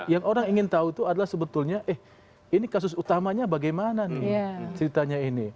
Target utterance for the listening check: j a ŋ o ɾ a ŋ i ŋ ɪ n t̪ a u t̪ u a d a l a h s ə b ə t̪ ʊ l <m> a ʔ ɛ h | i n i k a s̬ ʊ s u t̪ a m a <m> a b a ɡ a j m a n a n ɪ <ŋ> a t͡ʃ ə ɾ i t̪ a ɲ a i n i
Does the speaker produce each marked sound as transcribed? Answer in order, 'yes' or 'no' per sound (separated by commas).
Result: no, no, no